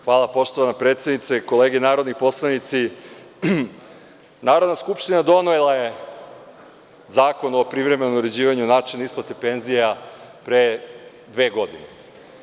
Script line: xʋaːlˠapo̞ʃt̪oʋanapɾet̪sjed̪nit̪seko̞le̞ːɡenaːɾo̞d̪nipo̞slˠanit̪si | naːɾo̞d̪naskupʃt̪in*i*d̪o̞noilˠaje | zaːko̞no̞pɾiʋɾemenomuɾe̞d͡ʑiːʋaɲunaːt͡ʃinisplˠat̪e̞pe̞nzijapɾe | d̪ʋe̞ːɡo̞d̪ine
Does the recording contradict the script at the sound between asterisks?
yes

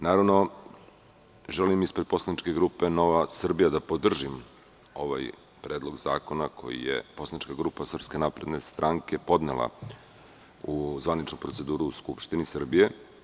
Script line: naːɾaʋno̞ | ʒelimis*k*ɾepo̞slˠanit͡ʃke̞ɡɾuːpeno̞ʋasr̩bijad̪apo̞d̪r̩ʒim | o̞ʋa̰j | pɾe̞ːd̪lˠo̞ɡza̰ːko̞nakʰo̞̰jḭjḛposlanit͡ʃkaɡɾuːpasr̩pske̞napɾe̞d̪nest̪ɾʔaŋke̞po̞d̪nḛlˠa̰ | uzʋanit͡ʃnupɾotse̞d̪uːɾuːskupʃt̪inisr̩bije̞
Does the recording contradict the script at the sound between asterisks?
yes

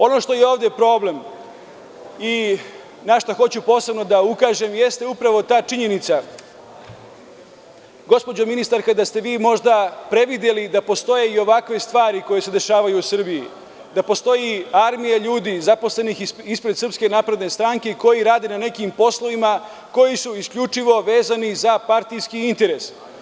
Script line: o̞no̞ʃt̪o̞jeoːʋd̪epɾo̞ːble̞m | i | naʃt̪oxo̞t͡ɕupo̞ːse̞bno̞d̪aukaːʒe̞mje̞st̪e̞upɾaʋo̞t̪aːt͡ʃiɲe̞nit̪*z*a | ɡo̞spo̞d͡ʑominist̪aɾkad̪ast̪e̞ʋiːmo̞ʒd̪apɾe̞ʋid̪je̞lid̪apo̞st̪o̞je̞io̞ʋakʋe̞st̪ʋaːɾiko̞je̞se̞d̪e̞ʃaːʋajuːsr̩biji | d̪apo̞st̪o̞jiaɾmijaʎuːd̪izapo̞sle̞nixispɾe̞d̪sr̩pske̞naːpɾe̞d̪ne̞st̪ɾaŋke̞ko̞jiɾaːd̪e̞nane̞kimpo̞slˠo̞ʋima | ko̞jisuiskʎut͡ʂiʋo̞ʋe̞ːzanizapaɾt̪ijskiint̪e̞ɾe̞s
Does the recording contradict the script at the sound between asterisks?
yes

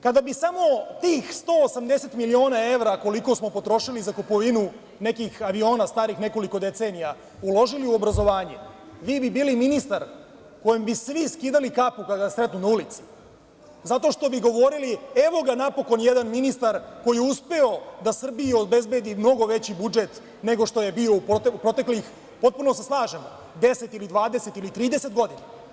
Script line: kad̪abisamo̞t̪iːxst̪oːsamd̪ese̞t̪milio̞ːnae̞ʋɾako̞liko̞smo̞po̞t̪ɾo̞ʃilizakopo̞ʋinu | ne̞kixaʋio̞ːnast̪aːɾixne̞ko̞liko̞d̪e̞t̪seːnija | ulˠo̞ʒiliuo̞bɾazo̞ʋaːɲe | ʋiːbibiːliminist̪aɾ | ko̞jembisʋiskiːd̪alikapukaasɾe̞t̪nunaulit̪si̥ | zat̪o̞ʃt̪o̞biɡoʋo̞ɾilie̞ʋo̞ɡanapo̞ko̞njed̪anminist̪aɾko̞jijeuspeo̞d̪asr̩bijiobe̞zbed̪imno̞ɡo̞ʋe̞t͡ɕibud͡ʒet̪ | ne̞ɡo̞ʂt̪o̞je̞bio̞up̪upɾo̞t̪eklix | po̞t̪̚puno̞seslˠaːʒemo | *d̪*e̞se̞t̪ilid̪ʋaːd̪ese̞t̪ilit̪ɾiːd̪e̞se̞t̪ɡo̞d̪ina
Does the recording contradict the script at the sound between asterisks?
no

